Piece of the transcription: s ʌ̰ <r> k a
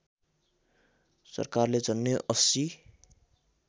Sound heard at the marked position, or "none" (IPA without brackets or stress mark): r